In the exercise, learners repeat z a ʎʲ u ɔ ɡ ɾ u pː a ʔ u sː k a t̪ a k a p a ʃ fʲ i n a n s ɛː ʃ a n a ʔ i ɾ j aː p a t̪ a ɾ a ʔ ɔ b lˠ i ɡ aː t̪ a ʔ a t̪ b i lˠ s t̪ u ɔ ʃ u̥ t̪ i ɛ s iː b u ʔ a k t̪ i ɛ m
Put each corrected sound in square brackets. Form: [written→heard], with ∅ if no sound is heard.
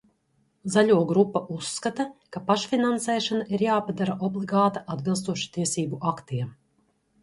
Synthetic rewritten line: z a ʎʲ u ɔ ɡ ɾ u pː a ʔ u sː k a t̪ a k a p a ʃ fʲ i n a n s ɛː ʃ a n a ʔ i ɾ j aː p a [t̪→d̪] a ɾ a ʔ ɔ b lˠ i ɡ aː t̪ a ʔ a [t̪→d̪] b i lˠ s t̪ u ɔ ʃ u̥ t̪ i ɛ s iː b u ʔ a k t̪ i ɛ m